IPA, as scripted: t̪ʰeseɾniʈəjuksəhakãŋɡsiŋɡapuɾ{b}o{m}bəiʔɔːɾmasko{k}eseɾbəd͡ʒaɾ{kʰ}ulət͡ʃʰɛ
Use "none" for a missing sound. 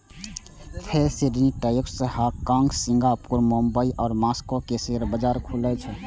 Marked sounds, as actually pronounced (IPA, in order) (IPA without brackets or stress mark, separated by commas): m, m, k, kʰ